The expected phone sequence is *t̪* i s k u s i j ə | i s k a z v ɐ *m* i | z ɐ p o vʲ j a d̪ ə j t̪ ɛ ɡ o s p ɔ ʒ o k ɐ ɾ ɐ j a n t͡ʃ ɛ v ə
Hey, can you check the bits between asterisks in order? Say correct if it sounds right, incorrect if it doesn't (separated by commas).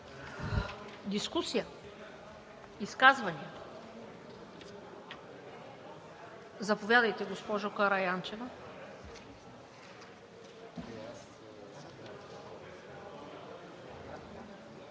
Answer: incorrect, incorrect